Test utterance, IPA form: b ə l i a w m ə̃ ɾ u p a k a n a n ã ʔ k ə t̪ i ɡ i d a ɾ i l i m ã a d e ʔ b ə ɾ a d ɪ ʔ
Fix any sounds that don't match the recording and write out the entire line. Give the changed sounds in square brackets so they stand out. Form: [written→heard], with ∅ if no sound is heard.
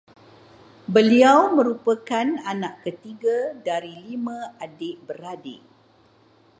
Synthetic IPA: b ə l i a w m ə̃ ɾ u p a k a n a n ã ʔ k ə t̪ i ɡ [i→a] d a ɾ i l i m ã a d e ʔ b ə ɾ a d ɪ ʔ